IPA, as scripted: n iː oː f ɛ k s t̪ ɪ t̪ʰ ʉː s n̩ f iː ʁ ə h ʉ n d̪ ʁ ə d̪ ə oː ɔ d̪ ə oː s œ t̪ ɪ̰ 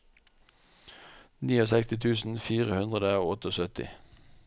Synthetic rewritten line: n iː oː s ɛ k s t̪ ɪ t̪ʰ ʉː s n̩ f iː ʁ ə h ʉ n d̪ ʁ ə d̪ ə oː ɔ t̪ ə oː s œ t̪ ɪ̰